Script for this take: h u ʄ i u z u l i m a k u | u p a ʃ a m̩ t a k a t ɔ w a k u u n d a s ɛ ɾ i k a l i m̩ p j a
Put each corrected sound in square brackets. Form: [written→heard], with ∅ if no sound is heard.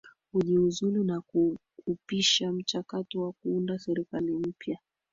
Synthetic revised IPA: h u ʄ i u z u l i [m→n] a k u | u p [a→i] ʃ a m̩ [t→t͡ʃ] a k a t ɔ w a k u u n d a s ɛ ɾ i k a l i m̩ p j a